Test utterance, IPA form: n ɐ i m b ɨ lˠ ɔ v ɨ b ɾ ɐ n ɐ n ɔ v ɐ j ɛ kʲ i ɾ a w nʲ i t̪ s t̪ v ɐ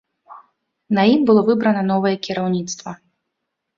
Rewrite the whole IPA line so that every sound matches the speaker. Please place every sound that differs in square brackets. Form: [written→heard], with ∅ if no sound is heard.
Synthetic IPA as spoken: n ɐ i m b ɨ lˠ ɔ v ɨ b ɾ ɐ n ɐ n ɔ v ɐ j ɛ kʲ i ɾ a w nʲ i t̪ s t̪ v ɐ